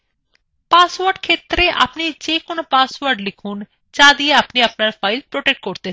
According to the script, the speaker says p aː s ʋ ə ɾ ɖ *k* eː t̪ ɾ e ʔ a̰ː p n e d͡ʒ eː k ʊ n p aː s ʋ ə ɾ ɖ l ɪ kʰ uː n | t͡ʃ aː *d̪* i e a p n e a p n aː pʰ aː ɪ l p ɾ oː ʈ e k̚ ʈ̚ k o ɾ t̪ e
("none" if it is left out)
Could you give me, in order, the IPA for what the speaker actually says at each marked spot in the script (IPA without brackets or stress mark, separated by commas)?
kʰ, d̪